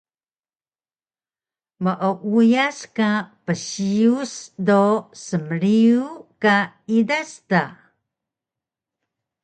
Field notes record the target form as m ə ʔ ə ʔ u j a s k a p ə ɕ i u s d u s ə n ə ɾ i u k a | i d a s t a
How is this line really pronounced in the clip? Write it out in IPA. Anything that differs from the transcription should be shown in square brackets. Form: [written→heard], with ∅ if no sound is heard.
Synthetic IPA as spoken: m ə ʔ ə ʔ u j a s k a p ə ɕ i u s d [u→o] s ə [n→m] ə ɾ i u k a | i d a s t a